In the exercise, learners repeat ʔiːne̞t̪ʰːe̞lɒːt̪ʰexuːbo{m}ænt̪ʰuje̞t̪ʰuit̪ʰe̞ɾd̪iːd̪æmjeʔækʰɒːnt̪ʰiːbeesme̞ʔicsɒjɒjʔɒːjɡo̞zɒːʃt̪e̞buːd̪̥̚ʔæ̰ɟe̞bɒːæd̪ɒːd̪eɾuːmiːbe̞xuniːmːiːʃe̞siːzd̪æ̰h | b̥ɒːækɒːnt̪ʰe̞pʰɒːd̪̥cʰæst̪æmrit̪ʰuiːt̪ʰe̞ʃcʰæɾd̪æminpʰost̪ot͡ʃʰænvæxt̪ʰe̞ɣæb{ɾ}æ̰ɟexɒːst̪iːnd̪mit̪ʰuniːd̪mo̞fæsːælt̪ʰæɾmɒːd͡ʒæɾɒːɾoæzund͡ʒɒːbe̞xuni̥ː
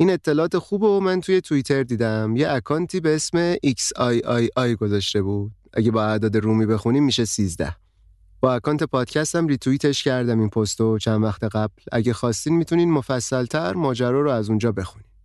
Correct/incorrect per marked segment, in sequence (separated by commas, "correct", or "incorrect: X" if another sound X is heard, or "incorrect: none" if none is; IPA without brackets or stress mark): correct, incorrect: l